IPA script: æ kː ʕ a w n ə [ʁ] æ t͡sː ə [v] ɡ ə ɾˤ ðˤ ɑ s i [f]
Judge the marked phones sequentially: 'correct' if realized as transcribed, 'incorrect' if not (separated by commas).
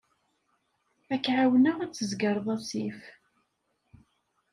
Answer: correct, incorrect, correct